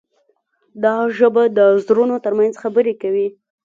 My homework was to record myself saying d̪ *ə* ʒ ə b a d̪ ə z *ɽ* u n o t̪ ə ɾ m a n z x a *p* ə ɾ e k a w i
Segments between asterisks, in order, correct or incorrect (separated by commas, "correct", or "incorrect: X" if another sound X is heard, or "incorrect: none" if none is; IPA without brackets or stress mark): incorrect: ɑ, incorrect: ɾ, incorrect: b